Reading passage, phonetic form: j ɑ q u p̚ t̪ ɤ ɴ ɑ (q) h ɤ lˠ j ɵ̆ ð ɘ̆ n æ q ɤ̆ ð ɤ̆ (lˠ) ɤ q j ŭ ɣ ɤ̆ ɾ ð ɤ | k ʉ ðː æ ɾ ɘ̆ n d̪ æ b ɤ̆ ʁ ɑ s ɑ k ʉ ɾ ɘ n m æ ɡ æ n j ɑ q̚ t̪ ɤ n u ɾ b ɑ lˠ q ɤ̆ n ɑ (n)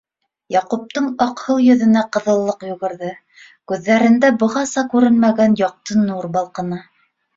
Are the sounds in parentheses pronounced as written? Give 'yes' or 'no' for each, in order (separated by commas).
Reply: yes, no, no